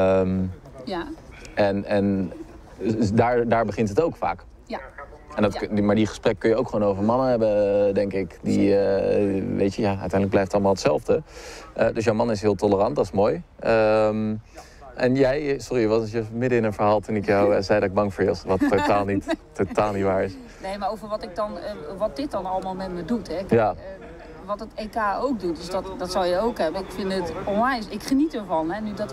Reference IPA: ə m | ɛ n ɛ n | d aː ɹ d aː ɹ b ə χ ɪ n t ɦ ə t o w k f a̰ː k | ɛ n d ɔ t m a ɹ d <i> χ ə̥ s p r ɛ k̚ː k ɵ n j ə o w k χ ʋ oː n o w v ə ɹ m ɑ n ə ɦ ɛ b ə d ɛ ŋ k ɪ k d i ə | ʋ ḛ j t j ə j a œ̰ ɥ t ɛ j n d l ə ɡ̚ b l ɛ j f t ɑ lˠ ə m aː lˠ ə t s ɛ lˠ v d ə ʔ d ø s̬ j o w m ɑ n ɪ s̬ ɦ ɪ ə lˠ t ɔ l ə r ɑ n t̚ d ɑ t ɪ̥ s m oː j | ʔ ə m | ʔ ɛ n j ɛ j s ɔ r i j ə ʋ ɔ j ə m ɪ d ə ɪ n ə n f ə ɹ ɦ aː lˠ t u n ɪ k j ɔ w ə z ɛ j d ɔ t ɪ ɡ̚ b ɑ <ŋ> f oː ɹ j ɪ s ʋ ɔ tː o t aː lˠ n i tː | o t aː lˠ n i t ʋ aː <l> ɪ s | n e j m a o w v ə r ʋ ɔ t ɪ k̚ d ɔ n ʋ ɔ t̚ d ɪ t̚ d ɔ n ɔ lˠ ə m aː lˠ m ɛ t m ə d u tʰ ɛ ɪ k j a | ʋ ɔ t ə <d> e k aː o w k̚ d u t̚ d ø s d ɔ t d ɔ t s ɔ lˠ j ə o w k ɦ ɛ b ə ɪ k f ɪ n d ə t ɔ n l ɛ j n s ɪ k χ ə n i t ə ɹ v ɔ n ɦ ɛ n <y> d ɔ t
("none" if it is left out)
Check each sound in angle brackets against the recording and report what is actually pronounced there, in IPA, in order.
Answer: i, ŋ, ɹ, t, y

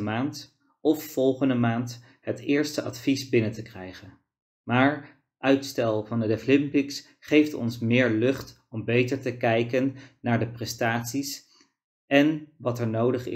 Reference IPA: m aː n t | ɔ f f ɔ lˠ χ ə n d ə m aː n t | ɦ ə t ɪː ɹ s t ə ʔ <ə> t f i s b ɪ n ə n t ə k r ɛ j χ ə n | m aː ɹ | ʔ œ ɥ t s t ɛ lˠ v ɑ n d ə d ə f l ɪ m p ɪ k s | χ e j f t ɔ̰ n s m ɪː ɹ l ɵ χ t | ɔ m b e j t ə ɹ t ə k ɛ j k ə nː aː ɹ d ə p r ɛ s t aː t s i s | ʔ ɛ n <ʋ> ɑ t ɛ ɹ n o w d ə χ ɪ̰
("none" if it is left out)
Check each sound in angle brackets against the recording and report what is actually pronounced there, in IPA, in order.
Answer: ɑ, ʋ

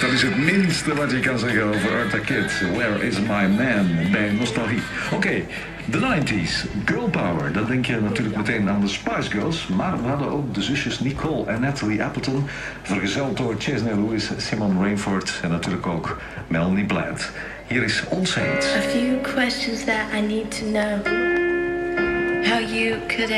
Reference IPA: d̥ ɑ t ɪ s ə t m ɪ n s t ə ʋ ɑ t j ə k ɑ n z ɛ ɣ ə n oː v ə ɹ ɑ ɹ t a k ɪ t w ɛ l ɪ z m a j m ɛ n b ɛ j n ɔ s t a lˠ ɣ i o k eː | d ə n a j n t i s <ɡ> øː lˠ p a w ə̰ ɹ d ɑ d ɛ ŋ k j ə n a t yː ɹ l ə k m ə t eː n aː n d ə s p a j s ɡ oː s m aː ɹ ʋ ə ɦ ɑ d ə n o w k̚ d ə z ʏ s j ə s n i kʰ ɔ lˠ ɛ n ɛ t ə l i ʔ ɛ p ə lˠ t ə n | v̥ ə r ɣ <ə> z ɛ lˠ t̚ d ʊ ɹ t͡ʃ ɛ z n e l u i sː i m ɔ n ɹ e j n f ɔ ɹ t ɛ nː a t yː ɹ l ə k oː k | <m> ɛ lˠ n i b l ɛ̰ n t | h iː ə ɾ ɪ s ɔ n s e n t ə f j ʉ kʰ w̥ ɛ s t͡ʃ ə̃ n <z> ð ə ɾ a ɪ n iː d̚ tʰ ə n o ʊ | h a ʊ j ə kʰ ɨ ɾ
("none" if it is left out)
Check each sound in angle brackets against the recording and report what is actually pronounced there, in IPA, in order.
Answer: ɡ, ə, m, z

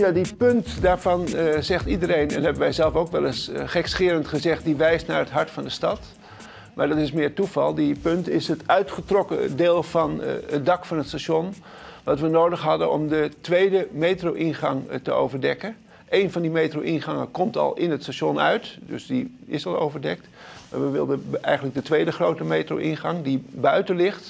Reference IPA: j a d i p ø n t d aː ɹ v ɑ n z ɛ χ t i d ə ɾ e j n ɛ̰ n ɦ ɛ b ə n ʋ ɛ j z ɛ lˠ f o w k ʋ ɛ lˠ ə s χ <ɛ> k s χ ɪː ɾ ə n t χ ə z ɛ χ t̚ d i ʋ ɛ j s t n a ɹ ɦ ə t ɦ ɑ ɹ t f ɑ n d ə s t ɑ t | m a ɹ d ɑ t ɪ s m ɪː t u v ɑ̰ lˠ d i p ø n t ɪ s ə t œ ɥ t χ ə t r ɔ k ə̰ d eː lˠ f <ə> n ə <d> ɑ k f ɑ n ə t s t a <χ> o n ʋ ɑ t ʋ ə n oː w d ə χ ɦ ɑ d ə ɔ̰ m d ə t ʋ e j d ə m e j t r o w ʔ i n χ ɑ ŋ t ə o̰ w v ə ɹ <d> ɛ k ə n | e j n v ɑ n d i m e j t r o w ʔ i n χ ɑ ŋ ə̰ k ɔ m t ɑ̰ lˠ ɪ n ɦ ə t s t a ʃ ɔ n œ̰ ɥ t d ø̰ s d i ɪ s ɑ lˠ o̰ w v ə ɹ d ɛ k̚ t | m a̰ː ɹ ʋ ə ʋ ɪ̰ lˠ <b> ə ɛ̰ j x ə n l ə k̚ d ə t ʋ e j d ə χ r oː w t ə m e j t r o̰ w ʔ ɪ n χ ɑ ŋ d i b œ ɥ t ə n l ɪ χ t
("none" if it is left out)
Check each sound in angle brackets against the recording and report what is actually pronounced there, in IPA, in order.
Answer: ɛ, ɑ, d, ʃ, d, d

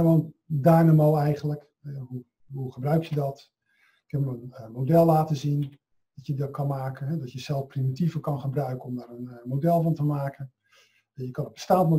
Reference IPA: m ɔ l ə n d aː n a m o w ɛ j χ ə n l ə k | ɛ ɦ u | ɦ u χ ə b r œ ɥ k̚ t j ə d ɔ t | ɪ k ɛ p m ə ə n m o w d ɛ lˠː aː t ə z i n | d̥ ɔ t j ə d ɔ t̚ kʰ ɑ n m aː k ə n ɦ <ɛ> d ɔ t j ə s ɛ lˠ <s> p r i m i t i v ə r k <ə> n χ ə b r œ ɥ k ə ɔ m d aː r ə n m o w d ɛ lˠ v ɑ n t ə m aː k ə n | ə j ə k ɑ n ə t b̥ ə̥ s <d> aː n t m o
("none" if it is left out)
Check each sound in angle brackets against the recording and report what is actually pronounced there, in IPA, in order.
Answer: ɛ, f, ɑ, t

